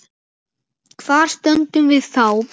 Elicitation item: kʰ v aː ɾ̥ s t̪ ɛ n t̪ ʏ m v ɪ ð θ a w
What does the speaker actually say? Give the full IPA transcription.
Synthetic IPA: kʰ v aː ɾ̥ s t̪ œ n t̪ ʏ m v ɪ ð θ a w

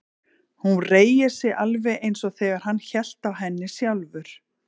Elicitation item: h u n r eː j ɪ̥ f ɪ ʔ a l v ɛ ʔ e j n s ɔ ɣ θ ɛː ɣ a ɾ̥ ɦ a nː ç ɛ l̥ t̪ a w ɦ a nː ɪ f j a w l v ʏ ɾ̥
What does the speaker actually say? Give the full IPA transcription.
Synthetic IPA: h u n r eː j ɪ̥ s ɪ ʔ a l v ɛ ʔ e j n s ɔ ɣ θ ɛː ɣ a ɾ̥ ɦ a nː ç ɛ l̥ t̪ a w ɦ ɛ nː ɪ s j a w l v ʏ ɾ̥

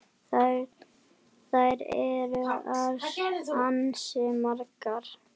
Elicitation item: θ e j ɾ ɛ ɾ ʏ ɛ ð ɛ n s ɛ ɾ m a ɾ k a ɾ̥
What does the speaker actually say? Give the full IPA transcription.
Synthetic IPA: θ a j ɾ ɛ ɾ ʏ a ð a n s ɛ m a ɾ k a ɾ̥

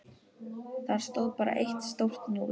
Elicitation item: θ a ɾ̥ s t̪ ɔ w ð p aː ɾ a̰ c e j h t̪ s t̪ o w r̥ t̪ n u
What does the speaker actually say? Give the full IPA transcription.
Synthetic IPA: θ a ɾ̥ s t̪ o w ð p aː ɾ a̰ ʔ e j h t̪ s t̪ o w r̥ t̪ n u

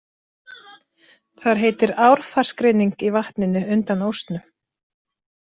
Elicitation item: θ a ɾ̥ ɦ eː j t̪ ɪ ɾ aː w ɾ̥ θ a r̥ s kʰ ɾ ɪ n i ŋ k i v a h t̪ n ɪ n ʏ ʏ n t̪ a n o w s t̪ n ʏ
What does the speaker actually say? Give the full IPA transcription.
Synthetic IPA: θ a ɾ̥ ɦ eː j t̪ ɪ ɾ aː w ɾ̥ f a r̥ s k ɾ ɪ n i ŋ k i v a h t̪ n ɪ n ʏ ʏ n t̪ a n o w s t̪ n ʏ

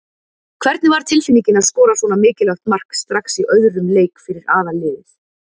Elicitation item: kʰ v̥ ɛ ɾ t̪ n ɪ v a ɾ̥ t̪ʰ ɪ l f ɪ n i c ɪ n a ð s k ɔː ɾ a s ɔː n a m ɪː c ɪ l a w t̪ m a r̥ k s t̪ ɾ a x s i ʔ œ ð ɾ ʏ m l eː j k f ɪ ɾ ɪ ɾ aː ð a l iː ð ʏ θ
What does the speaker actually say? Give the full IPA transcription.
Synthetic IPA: kʰ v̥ ɛ ɾ t̪ n ɪ v a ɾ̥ t̪ʰ ɪ l f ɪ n i c ɪ n a ð s k ɔː ɾ a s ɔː n a m ɪː c ɪ l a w t̪ m a r̥ k s t̪ ɾ a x s i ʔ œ ð ɾ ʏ m l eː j k f ɪ ɾ ɪ ɾ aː ð a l ɪː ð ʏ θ

